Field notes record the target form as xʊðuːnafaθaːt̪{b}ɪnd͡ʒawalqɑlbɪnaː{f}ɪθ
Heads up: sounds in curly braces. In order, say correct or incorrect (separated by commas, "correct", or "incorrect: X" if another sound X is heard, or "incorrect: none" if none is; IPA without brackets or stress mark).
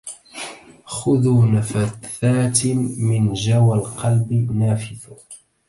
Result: incorrect: m, correct